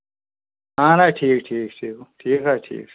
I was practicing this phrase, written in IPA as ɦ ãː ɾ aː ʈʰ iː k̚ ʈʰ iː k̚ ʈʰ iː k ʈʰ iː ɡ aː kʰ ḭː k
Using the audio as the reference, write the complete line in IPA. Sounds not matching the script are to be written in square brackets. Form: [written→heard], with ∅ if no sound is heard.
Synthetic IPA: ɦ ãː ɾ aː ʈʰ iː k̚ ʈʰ iː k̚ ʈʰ iː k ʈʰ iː [ɡ→k] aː [kʰ→ʈʰ] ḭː k